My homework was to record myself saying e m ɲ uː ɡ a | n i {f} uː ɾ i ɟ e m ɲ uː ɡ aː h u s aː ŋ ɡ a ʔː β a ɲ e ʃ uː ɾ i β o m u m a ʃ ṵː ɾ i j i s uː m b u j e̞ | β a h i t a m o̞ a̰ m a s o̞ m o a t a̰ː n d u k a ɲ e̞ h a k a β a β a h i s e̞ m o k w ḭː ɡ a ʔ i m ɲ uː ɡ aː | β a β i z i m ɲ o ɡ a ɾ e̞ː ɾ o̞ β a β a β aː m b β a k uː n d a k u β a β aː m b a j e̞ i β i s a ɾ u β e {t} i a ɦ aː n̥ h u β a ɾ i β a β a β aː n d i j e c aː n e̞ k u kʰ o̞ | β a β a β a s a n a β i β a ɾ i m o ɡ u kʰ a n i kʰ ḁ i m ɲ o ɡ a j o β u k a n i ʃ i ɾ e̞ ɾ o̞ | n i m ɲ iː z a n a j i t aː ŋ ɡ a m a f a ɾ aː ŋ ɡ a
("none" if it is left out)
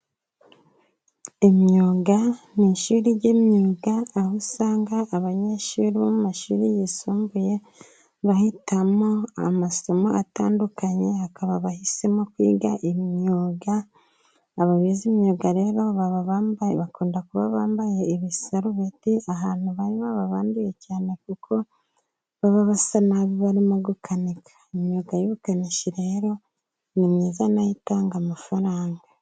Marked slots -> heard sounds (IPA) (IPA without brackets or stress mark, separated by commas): ʃ, t